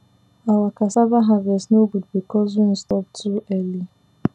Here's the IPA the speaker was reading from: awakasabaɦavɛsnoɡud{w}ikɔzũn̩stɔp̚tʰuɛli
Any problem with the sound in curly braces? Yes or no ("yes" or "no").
yes